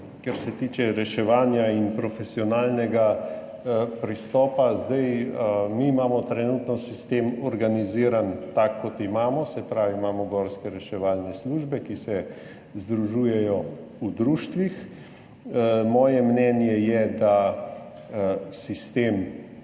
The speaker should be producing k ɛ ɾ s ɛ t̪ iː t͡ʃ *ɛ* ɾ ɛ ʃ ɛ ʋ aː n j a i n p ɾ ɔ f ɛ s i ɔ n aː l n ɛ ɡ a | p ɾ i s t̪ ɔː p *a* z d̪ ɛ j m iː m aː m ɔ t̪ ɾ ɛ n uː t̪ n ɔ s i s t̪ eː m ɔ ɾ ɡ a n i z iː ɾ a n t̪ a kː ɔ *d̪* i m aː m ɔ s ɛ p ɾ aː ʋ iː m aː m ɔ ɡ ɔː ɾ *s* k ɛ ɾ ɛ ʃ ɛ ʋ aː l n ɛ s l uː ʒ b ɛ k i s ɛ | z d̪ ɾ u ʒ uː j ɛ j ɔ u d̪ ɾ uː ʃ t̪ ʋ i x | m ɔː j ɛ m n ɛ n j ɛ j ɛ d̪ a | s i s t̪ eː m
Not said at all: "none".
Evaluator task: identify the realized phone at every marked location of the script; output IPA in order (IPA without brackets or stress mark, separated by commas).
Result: ɛ, a, t̪, s